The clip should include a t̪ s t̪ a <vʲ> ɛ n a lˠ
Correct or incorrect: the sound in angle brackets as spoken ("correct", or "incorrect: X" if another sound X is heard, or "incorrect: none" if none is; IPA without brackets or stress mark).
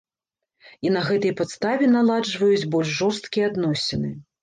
correct